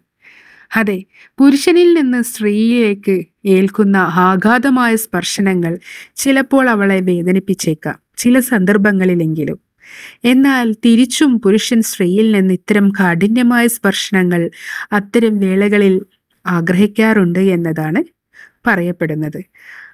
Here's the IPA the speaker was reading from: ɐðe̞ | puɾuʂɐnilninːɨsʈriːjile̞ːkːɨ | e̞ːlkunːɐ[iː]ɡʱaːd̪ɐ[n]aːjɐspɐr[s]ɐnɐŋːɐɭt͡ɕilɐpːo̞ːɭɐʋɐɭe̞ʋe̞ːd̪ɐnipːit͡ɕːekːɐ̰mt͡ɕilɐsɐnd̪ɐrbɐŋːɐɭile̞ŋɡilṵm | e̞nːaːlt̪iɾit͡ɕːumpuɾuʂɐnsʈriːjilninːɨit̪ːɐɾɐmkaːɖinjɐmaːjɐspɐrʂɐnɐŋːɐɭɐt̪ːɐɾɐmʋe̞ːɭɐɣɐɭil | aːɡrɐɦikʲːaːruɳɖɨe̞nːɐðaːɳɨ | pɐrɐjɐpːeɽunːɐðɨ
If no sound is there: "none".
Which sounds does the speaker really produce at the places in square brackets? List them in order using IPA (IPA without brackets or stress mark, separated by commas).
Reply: aː, m, ʂ